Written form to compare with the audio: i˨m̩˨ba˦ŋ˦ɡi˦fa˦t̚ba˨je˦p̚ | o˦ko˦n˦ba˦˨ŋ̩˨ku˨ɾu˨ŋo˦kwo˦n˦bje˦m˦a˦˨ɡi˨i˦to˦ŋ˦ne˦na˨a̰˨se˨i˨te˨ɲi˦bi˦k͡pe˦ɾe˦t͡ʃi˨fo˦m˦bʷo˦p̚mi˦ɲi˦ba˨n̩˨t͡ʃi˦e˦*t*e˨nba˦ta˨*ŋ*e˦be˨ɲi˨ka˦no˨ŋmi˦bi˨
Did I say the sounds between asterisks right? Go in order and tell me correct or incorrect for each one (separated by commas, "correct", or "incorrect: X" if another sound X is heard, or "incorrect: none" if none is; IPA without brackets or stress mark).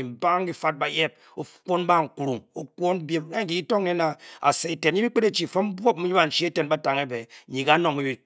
correct, correct